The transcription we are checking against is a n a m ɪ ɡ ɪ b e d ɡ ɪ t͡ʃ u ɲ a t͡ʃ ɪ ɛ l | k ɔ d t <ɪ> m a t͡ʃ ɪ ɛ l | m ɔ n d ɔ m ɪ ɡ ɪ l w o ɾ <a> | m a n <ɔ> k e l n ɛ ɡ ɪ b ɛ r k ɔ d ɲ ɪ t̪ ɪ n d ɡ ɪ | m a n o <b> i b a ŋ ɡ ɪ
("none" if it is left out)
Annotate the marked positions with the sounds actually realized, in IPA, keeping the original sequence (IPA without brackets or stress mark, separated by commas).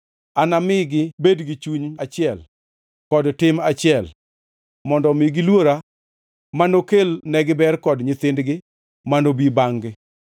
ɪ, a, o, b